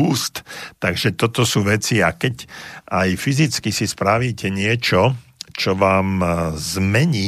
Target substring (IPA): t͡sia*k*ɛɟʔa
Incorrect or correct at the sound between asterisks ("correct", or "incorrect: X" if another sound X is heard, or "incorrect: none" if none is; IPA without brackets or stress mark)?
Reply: correct